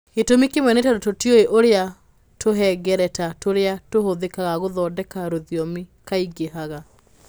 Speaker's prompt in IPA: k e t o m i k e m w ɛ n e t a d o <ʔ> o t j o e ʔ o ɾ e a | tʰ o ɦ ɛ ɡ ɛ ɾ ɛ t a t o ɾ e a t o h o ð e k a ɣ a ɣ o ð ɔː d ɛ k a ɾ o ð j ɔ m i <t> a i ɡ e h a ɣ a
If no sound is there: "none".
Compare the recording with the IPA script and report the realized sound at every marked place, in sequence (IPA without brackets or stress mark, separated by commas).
t, k